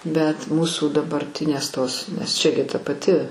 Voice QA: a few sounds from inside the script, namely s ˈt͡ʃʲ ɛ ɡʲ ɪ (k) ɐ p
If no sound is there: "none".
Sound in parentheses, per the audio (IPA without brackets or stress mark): t